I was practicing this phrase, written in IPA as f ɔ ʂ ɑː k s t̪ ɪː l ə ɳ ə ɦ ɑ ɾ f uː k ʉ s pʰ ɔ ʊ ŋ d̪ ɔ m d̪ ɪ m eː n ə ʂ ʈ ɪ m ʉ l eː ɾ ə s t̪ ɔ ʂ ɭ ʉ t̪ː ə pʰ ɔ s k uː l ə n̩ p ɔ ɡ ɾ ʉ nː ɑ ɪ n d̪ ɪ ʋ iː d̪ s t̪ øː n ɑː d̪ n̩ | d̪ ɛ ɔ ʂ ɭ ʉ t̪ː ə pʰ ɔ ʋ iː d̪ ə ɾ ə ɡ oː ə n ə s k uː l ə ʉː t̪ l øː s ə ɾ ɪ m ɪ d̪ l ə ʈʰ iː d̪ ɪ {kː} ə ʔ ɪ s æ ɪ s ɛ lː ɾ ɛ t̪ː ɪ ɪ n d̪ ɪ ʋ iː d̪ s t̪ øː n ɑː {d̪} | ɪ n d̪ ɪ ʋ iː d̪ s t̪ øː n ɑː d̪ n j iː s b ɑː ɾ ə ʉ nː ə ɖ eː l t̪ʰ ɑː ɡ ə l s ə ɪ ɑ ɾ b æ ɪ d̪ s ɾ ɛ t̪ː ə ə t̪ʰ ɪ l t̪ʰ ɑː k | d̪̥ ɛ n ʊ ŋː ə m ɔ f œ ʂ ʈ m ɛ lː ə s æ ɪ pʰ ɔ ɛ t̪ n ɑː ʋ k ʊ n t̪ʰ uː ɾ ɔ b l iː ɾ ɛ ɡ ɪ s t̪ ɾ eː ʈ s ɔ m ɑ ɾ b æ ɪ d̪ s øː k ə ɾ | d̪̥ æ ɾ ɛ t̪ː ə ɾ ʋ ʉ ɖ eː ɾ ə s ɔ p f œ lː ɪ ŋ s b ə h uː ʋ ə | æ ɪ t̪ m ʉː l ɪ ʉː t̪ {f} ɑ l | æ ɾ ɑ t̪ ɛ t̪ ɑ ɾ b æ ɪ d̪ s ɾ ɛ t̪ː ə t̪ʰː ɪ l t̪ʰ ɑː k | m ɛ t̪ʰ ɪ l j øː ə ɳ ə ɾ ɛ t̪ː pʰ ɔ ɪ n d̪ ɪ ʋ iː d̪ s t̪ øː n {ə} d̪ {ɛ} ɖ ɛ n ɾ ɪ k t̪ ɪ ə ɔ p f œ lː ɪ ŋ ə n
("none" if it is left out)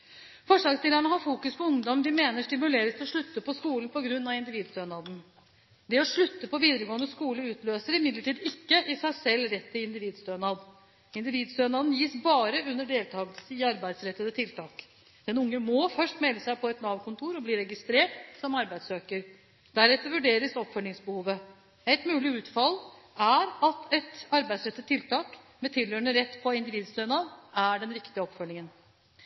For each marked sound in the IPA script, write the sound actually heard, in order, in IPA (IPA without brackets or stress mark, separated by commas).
kː, d̪, f, ɑ, æ